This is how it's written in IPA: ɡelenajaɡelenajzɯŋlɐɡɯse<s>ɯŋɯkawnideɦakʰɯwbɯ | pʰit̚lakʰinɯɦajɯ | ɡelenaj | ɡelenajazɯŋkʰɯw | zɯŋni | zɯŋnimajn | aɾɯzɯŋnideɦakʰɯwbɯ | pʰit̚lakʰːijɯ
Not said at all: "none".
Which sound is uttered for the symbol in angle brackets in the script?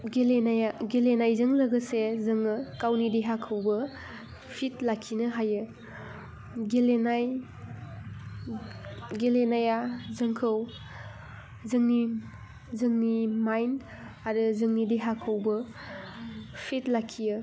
z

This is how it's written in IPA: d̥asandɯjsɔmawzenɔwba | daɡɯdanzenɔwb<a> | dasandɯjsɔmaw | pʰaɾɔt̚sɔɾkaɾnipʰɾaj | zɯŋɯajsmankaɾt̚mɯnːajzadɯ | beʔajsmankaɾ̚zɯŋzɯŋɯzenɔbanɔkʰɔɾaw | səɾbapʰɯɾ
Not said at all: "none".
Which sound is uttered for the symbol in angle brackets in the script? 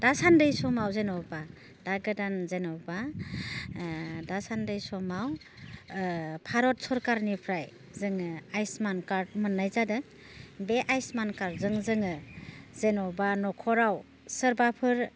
a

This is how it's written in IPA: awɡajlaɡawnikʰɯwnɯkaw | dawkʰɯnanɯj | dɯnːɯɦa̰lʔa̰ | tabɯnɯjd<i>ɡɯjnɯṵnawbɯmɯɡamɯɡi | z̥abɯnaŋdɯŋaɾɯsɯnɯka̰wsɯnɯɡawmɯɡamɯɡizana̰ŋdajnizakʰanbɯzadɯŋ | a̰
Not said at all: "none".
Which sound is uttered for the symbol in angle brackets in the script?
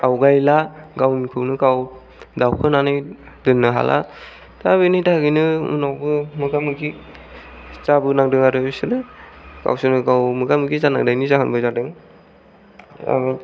a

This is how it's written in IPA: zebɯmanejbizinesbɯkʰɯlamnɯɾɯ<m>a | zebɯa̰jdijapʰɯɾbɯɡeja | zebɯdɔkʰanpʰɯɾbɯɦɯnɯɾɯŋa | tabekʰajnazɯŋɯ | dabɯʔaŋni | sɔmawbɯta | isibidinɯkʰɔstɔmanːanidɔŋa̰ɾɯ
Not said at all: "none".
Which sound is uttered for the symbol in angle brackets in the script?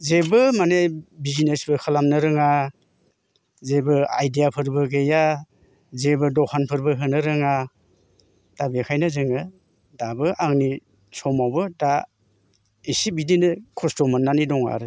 ŋ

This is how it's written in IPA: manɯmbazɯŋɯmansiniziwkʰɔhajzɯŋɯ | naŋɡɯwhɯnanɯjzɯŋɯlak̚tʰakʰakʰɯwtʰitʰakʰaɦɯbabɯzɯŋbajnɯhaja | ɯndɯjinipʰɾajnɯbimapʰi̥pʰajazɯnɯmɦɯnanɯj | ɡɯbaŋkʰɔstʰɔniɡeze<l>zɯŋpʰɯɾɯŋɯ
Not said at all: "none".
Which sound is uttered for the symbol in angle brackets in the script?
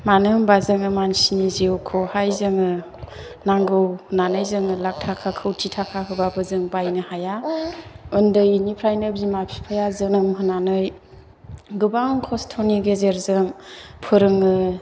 ɾ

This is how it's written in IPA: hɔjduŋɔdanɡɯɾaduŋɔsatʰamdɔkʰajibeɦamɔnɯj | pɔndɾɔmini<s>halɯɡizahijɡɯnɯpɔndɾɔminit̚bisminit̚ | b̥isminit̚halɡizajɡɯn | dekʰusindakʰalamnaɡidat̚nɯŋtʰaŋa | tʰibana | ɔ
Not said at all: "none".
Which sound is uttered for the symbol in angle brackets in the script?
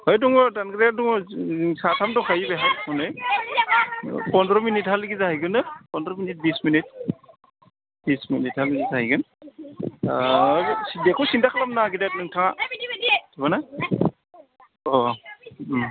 t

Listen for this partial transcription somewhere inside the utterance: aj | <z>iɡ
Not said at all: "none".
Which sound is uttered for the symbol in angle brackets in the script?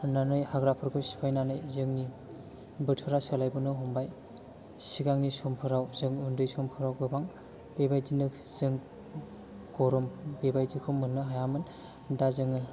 s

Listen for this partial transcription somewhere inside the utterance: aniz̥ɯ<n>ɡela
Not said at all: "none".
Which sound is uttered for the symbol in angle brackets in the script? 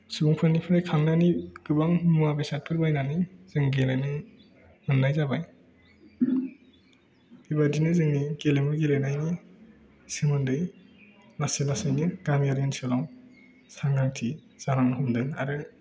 ŋ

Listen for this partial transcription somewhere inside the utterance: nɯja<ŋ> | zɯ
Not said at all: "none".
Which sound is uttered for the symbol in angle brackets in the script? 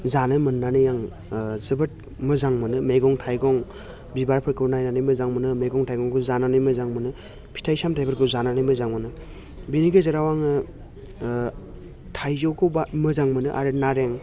ŋ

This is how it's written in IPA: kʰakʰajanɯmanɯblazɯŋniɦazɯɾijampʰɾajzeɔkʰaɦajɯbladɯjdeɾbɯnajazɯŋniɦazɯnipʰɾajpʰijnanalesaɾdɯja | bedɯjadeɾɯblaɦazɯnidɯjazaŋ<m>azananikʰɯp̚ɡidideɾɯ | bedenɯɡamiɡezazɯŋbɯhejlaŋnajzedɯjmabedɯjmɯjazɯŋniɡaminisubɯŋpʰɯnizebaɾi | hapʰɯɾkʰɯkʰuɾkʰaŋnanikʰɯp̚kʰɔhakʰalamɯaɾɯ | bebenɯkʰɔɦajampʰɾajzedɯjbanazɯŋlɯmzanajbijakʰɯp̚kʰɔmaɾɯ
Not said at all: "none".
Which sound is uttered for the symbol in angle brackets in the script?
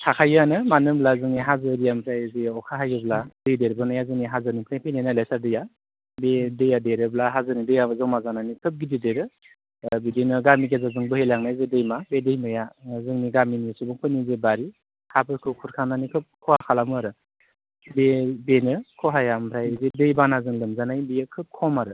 m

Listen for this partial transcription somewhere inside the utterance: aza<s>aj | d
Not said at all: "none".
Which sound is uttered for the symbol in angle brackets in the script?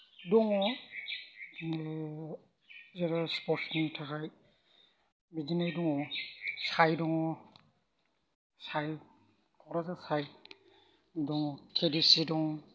s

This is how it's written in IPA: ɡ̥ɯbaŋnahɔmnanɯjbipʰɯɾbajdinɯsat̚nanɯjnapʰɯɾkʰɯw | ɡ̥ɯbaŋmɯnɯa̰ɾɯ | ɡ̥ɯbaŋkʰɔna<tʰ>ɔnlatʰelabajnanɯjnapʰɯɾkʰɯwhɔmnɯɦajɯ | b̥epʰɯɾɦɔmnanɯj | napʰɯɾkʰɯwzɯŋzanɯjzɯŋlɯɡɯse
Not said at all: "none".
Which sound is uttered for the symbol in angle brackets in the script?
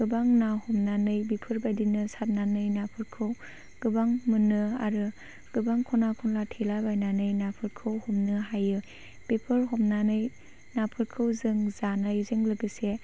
kʰ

